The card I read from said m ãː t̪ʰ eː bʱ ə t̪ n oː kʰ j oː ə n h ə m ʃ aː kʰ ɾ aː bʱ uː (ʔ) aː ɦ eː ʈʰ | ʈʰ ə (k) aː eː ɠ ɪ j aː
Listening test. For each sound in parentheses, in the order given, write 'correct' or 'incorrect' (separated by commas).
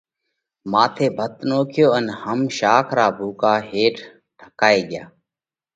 incorrect, correct